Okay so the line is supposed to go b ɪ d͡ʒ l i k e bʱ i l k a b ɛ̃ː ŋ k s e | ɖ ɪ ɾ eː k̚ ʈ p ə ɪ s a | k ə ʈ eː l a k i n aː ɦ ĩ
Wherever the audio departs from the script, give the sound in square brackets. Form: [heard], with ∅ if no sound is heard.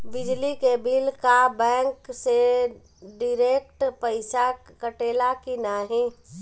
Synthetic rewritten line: b ɪ d͡ʒ l i k e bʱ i l k a b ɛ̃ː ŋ k s e | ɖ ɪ ɾ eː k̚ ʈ p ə ɪ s a | k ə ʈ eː l a k i n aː ɦ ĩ